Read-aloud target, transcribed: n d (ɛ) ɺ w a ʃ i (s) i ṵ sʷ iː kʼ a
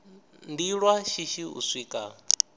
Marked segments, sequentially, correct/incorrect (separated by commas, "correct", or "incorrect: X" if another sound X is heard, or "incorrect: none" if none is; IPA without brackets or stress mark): incorrect: i, incorrect: ʃ